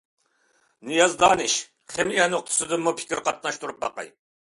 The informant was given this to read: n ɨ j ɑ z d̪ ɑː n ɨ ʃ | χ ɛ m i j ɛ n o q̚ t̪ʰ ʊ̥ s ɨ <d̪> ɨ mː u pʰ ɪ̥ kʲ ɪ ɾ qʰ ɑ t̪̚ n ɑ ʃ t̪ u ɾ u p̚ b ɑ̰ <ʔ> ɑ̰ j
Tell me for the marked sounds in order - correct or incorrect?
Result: correct, incorrect: q

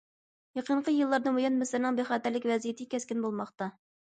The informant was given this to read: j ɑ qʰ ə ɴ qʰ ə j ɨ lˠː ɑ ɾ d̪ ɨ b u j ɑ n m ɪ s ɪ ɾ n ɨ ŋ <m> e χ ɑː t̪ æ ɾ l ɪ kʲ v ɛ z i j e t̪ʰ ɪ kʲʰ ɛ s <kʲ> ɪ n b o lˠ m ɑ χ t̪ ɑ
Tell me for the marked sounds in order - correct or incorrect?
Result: incorrect: b, correct

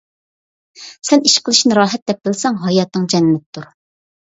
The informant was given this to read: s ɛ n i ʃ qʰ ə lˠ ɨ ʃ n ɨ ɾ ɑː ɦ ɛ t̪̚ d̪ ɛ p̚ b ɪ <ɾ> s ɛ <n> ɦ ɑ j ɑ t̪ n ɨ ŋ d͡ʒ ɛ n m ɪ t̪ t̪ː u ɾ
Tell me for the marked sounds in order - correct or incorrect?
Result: incorrect: l, incorrect: ŋ

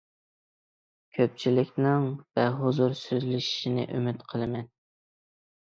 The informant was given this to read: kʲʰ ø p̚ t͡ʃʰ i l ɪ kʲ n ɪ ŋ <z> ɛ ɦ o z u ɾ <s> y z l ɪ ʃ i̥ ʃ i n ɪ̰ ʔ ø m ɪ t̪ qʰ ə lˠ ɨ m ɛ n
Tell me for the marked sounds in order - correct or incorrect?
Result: incorrect: v, correct

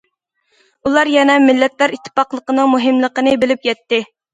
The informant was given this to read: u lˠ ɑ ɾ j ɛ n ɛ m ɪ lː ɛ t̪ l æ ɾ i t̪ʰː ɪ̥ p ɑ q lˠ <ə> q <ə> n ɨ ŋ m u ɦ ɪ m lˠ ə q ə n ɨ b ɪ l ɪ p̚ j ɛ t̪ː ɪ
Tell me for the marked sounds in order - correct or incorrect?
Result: correct, correct

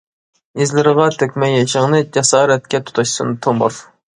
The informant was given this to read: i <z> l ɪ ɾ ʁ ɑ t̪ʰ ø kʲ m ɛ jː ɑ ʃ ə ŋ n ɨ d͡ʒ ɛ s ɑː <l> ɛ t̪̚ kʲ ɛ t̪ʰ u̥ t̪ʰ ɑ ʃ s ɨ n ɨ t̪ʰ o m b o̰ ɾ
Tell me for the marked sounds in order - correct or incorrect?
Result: correct, incorrect: ɾ

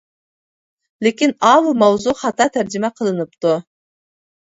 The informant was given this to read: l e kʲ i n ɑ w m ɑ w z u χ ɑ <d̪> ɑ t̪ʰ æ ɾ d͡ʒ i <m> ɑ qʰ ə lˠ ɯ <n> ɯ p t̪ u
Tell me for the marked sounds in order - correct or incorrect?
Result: incorrect: t̪, correct, correct

